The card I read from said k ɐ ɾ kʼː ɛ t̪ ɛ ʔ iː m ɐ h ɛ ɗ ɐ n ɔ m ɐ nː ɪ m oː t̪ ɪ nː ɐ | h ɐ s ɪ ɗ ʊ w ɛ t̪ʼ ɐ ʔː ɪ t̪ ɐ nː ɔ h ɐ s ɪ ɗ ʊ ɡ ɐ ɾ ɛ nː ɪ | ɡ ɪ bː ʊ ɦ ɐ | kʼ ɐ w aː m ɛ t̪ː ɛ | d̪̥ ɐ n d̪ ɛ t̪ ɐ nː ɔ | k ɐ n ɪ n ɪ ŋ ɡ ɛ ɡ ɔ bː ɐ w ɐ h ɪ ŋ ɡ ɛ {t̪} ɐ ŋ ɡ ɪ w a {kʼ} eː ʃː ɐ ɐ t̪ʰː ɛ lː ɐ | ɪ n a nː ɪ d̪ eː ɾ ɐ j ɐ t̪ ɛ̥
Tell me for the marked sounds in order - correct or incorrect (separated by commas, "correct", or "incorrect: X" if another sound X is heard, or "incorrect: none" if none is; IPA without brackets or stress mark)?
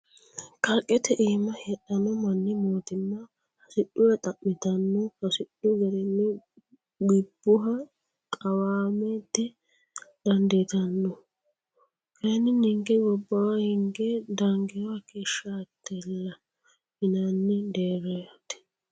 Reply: incorrect: d̪, incorrect: k